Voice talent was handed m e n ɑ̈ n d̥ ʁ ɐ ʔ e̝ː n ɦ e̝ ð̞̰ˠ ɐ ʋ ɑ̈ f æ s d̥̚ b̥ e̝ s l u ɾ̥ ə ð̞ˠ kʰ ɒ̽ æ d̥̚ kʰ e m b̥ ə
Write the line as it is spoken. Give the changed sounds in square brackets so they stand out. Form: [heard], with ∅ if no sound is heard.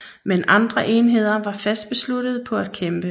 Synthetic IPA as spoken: m e n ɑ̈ n d̥ ʁ ɐ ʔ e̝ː n ɦ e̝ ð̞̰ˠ ɐ ʋ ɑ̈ f æ s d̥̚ b̥ e̝ s l u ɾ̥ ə ð̞ˠ [pʰ] ɒ̽ æ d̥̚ kʰ e m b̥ ə